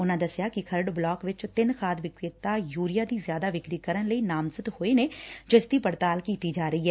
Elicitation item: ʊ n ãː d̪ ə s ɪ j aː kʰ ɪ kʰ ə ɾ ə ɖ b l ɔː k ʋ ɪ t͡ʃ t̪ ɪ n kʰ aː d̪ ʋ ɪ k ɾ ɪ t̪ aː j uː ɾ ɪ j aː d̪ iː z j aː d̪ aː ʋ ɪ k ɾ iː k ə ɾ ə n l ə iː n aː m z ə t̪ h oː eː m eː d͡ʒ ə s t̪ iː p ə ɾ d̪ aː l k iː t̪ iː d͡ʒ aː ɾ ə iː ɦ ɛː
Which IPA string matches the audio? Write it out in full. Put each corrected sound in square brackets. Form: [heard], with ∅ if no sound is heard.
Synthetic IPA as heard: ʊ n ãː d̪ ə s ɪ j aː [k] ɪ kʰ ə ɾ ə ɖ b l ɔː k ʋ ɪ t͡ʃ t̪ ɪ n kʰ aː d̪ ʋ ɪ k ɾ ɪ t̪ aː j uː ɾ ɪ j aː d̪ iː z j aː d̪ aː ʋ ɪ k ɾ iː k ə ɾ ə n l ə iː n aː m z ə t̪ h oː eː [n] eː d͡ʒ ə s t̪ iː p ə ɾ [t̪] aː l k iː t̪ iː d͡ʒ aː ɾ ə iː ɦ ɛː